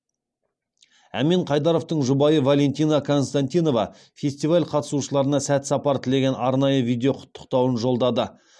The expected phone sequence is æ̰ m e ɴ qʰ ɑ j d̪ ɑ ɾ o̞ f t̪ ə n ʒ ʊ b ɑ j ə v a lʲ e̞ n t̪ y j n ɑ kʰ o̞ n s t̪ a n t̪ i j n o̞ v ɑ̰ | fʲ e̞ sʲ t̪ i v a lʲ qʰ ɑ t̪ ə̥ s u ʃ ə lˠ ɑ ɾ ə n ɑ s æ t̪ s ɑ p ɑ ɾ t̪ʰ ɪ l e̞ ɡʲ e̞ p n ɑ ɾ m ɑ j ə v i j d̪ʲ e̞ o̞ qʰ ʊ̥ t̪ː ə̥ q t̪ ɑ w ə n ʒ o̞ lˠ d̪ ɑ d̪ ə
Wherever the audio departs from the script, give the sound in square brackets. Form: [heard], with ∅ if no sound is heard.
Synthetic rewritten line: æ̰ m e ɴ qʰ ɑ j d̪ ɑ ɾ o̞ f t̪ ə [ɴ] ʒ ʊ b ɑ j ə v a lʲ e̞ n t̪ [i] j n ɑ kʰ o̞ n s t̪ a n t̪ i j n o̞ v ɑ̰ | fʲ e̞ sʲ t̪ i v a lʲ qʰ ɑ t̪ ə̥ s u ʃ ə lˠ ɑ ɾ ə n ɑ s æ t̪ s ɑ p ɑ ɾ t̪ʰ ɪ l e̞ ɡʲ e̞ [∅] n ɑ ɾ [n] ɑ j ə v i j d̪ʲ e̞ o̞ qʰ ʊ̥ t̪ː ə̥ q t̪ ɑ w ə n ʒ o̞ lˠ d̪ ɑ d̪ ə